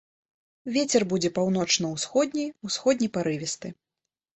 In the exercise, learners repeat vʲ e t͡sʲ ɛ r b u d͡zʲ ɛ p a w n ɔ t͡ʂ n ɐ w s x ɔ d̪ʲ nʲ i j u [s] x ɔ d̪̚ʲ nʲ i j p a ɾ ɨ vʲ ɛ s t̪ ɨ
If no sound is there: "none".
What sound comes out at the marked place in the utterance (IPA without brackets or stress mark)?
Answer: s